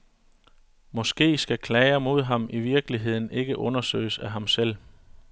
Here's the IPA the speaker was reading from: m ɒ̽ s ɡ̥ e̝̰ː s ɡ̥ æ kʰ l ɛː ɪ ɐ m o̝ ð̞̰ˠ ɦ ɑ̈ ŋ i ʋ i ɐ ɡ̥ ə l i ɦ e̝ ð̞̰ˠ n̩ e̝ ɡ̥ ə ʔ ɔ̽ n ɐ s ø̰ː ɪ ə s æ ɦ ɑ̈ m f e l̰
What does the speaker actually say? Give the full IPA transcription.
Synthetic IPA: m ɒ̽ s ɡ̥ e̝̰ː s ɡ̥ æ kʰ l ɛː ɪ ɐ m o̝ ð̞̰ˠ ɦ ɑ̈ m i ʋ i ɐ ɡ̥ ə l i ɦ e̝ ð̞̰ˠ n̩ e̝ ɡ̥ ə ʔ ɔ̽ n ɐ s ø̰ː ɪ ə s æ ɦ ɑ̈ m s e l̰

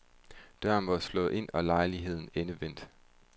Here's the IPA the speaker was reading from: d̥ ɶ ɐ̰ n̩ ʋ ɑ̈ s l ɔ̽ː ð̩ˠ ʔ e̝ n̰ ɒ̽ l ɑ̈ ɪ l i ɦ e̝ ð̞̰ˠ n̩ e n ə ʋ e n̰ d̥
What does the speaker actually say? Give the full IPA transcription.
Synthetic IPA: d̥ ɶ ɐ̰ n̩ ʋ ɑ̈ s l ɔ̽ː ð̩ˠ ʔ e̝ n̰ ɒ̽ l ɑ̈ ɪ l i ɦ e̝ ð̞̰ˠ n̩ e n ə ʋ e n̰ d̥

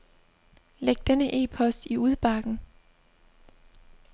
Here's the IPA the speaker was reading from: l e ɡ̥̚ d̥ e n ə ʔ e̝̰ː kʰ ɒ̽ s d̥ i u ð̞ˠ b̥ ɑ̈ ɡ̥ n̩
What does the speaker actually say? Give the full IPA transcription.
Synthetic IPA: l e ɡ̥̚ d̥ e n ə ʔ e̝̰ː pʰ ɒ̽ s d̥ i u ð̞ˠ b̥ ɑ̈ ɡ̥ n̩

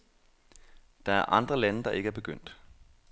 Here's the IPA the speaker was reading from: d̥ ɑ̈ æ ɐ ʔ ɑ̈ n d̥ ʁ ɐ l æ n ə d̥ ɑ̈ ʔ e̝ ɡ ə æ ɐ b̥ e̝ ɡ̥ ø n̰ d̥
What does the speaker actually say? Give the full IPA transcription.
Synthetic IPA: d̥ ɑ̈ æ ɐ ʔ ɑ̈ n d̥ ʁ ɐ l æ n ə d̥ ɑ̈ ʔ e̝ ɡ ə æ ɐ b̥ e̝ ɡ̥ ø n̰ d̥

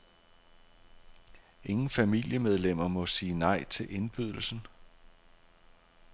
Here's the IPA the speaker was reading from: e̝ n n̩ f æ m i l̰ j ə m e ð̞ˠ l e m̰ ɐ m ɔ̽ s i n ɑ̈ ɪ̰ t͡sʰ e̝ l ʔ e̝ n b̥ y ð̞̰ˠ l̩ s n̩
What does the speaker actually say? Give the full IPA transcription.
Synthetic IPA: e̝ ŋ n̩ f æ m i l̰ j ə m e ð̞ˠ l e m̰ ɐ m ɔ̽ s iː n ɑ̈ ɪ̰ t͡sʰ e̝ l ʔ e̝ n b̥ y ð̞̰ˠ l̩ s n̩

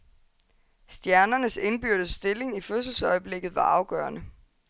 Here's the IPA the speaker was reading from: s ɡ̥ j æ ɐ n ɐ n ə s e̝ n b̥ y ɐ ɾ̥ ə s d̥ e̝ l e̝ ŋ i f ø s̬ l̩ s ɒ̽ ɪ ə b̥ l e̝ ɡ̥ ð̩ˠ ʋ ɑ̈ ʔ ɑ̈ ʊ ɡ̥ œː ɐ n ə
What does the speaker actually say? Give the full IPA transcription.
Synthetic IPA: s d̥ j æ ɐ n ɐ n ə s e̝ n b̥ y ɐ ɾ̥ ə s d̥ e̝ l e̝ ŋ i f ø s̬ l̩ s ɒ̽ ɪ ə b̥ l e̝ ɡ̥ ð̩ˠ ʋ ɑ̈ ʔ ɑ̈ ʊ ɡ̥ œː ɐ n ə

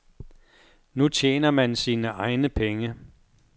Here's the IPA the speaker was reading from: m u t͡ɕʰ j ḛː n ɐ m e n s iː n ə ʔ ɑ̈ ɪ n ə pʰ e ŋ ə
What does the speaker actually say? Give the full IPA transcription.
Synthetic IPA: n u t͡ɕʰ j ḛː n ɐ m æ n s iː n ə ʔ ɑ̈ ɪ n ə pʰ e ŋ ə

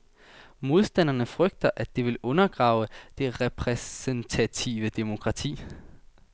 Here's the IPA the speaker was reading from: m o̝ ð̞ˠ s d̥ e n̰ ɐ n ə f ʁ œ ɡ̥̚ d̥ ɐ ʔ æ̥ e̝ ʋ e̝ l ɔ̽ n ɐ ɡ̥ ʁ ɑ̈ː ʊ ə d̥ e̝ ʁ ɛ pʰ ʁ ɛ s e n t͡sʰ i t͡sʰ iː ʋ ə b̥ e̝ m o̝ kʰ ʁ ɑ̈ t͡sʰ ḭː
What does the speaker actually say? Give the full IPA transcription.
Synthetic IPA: m o̝ ð̞ˠ s d̥ æ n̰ ɐ n ə f ʁ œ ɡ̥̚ d̥ ɐ ʔ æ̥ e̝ ʋ e̝ l ɔ̽ n ɐ ɡ̥ ʁ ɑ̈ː ʊ ə d̥ e̝ ʁ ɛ pʰ ʁ ɛ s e n t͡sʰ æ t͡sʰ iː ʋ ə d̥ e̝ m o̝ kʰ ʁ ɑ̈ t͡sʰ ḭː

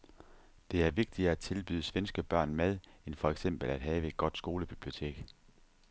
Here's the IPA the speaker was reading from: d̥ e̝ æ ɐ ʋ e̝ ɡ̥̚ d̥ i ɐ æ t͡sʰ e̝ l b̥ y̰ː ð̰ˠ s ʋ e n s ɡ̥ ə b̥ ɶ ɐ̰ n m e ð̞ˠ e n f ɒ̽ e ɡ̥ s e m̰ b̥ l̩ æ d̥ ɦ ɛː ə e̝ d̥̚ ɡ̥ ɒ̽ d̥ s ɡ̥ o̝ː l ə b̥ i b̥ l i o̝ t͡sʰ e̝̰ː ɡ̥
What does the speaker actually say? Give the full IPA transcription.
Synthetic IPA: d̥ e̝ æ ɐ ʋ e̝ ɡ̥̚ d̥ i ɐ æ t͡sʰ e̝ l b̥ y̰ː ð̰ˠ s ʋ e n s ɡ̥ ə b̥ ɶ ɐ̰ n m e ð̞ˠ e n f ɒ̽ e ɡ̥ s e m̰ b̥ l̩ æ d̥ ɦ ɛː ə e̝ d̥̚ ɡ̥ ɒ̽ d̥ s ɡ̥ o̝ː l ə b̥ i b̥ l i o̝ t͡sʰ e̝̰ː ɡ̥

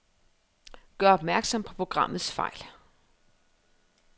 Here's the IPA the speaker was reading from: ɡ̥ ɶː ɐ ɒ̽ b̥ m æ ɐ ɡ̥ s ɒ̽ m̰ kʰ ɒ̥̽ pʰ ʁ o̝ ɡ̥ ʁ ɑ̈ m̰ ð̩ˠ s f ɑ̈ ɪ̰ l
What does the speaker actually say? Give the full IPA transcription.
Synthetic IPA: ɡ̥ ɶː ɐ ɒ̽ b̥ m æ ɐ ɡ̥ s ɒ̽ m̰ pʰ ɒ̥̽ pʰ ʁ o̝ ɡ̥ ʁ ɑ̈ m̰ ð̩ˠ s f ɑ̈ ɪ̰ l

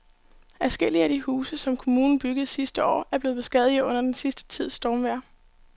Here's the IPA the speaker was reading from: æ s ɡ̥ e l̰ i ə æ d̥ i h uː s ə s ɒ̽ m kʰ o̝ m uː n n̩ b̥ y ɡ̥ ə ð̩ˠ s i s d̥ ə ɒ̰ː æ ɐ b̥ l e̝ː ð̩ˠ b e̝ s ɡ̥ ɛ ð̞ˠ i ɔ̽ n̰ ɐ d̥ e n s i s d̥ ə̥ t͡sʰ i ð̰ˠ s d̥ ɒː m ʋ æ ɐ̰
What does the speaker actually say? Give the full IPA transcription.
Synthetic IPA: æ s ɡ̥ e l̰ i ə æ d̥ i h uː s ə s ɒ̽ m kʰ o̝ m uː n n̩ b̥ y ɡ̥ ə ð̩ˠ s i s d̥ ə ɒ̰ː æ ɐ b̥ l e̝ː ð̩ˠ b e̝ s ɡ̥ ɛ ð̞ˠ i ɔ̽ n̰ ɐ d̥ e n s i s d̥ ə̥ t͡sʰ i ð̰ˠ s d̥ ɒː m ʋ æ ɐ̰

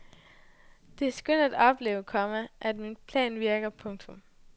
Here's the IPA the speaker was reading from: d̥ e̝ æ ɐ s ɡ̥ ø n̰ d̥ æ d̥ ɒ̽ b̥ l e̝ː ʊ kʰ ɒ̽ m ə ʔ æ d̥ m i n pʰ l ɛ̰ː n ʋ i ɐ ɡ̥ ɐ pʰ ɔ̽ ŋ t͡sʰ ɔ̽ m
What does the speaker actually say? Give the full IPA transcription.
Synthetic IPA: d̥ e̝ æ ɐ s ɡ̥ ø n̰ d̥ æ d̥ ɒ̽ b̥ l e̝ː ʊ kʰ ɒ̽ m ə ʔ æ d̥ m i n pʰ l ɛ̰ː n ʋ i ɐ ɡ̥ ɐ pʰ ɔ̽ ŋ t͡sʰ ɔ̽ m

